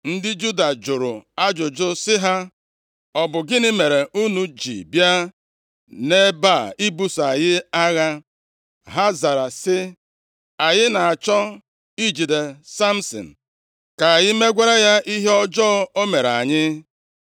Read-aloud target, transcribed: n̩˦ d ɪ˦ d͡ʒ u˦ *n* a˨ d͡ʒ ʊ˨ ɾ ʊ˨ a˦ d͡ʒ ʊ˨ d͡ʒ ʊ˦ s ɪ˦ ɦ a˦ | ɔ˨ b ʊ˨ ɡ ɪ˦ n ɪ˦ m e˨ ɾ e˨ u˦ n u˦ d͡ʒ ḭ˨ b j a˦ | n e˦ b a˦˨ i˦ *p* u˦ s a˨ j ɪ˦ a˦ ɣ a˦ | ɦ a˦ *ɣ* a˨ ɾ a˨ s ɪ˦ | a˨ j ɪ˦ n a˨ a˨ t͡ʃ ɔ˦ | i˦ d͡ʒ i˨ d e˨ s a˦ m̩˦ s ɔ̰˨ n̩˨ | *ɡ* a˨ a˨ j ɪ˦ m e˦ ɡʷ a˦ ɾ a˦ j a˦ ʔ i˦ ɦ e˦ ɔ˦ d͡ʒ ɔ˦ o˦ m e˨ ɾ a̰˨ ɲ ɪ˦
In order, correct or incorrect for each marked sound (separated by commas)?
incorrect, incorrect, incorrect, incorrect